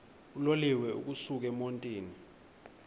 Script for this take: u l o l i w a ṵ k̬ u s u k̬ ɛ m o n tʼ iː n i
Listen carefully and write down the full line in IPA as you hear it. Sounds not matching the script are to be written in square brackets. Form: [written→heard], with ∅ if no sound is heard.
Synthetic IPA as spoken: u l o l i w [a→ɛ] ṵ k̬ u s u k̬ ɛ m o n tʼ iː n i